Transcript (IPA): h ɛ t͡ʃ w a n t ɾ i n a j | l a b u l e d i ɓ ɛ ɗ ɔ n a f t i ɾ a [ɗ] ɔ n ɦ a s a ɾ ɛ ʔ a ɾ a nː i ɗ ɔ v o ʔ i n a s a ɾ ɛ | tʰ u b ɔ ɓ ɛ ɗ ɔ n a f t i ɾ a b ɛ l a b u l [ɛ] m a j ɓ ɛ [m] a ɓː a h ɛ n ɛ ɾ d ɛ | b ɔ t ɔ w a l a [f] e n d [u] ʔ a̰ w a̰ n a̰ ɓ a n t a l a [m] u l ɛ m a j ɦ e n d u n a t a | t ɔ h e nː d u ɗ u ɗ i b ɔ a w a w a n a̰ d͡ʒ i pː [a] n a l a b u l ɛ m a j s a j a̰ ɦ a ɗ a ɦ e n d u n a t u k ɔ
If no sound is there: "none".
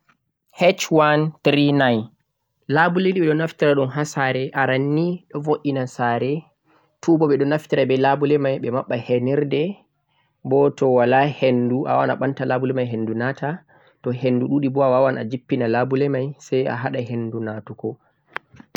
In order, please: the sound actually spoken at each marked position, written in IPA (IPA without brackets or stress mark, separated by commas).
ɗ, ɛ, m, h, u, b, i